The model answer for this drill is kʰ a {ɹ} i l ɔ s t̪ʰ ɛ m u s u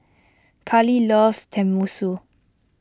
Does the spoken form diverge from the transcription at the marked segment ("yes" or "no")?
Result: yes